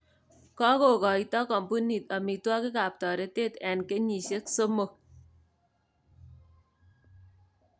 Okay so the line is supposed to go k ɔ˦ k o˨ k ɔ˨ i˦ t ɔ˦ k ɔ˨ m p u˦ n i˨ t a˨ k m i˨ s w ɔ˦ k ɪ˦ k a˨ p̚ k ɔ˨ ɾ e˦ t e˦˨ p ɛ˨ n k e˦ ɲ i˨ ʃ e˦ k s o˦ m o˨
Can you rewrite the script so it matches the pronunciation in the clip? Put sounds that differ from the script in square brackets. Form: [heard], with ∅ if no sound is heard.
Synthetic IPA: k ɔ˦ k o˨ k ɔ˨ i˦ t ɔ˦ k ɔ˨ m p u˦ n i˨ t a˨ [∅] m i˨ [t] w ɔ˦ k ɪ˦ k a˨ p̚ [t] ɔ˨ ɾ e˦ t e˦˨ [t] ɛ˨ n k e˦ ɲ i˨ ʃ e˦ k s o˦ m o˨